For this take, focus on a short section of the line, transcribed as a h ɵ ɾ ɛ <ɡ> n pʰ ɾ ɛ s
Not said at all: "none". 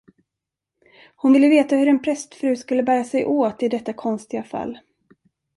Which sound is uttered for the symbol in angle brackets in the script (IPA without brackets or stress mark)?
none